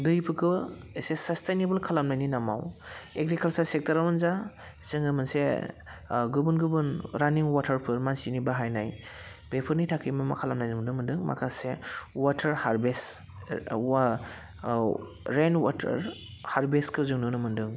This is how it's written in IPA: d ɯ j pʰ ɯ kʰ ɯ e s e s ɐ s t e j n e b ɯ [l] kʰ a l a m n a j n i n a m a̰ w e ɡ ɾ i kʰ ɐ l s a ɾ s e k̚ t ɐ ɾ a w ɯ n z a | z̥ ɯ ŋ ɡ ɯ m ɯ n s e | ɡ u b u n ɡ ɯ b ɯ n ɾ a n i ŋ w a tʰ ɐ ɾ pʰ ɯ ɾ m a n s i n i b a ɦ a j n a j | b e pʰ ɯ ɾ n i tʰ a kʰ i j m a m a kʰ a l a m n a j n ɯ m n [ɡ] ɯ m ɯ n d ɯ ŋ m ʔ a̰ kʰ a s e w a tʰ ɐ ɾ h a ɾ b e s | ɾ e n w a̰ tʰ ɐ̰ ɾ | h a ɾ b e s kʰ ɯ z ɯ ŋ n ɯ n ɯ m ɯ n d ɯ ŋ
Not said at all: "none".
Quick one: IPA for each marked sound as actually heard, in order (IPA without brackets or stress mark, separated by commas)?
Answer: l, d